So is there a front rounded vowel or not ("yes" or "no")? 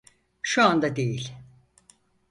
no